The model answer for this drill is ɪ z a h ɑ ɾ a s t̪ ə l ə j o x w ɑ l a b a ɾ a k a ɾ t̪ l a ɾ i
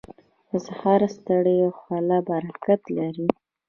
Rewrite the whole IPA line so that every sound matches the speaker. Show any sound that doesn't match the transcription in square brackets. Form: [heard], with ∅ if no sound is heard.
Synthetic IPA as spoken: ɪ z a h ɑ ɾ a s t̪ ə [ɽ] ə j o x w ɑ l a b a ɾ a k a [∅] t̪ l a ɾ i